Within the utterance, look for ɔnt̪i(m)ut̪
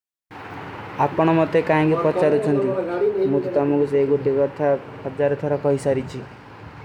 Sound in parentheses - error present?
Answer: no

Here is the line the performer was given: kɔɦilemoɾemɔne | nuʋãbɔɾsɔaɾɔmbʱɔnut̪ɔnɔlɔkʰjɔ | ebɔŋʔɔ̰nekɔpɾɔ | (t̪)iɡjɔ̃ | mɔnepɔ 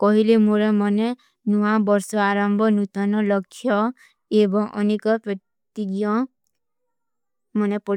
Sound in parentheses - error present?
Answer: no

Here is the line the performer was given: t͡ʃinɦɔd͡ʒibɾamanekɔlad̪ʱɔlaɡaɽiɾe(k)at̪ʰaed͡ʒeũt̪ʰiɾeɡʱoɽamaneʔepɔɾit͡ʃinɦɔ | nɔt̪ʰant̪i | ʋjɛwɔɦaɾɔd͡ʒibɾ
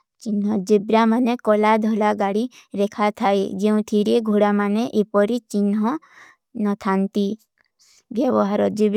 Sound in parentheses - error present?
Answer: yes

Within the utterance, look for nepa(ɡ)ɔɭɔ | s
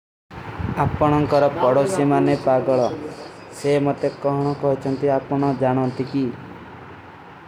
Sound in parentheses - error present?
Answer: no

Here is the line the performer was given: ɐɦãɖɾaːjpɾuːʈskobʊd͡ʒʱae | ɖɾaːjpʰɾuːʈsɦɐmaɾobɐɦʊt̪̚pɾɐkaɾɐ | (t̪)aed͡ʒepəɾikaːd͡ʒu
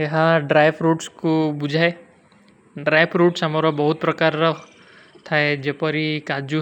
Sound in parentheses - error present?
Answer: yes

